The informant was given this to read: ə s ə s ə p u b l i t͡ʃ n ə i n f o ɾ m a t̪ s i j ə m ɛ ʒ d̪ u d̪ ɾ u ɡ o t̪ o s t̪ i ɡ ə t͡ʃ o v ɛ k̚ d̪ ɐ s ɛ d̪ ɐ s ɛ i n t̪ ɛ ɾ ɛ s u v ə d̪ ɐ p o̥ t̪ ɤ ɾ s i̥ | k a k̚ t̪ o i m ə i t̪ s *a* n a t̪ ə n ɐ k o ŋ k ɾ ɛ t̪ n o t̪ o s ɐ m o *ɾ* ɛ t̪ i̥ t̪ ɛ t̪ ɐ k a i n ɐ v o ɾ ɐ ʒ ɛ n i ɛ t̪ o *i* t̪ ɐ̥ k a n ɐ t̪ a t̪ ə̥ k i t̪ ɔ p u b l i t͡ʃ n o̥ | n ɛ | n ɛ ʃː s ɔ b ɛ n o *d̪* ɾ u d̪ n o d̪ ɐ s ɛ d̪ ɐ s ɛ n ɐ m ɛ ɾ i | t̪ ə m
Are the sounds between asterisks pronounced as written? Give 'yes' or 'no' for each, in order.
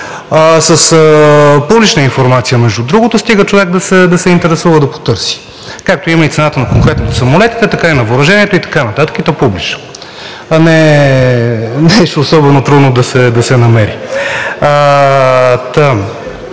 no, no, yes, no

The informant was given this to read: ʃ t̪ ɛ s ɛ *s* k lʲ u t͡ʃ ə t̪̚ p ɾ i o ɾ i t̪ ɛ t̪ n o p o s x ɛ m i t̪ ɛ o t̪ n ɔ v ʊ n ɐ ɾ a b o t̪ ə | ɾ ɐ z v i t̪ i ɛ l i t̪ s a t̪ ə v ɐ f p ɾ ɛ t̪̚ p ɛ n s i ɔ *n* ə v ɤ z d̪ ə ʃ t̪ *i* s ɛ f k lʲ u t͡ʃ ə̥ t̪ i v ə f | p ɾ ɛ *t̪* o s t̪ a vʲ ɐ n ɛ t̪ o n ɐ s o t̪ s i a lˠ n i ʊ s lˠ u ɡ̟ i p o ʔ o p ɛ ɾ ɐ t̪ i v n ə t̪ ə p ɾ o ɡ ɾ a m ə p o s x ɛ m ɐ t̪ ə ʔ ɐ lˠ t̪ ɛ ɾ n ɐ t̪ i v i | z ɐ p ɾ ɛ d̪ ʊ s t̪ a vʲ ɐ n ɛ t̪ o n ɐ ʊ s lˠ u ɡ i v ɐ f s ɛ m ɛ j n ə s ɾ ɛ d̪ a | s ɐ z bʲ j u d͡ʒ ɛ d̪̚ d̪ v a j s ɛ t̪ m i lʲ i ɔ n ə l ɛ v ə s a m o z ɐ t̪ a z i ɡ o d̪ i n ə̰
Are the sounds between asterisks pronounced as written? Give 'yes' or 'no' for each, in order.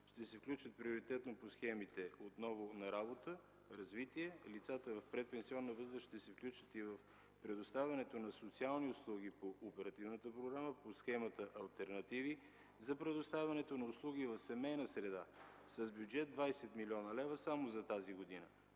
no, no, no, no

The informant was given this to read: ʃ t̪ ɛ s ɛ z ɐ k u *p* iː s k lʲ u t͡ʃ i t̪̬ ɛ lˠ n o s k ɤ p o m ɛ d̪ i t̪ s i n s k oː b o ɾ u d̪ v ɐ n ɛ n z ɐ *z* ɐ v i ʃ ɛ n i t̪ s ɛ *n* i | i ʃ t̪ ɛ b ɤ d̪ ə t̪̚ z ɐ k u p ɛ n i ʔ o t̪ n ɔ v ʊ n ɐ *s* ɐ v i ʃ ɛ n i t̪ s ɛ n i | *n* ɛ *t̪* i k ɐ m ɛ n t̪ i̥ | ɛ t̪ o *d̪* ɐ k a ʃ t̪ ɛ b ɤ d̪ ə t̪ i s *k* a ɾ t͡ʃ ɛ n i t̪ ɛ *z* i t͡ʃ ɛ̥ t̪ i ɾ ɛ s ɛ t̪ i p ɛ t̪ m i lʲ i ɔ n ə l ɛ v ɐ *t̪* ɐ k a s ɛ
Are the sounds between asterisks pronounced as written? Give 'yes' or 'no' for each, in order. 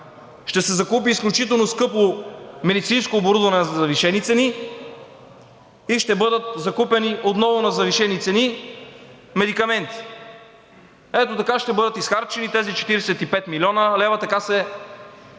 yes, yes, yes, no, no, no, no, no, yes, yes

